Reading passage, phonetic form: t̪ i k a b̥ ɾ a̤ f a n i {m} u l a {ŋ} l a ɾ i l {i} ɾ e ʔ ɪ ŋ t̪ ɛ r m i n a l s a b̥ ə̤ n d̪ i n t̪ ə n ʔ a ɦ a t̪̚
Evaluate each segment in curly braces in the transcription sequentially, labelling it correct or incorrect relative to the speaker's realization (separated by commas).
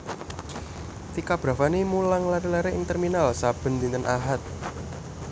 correct, correct, incorrect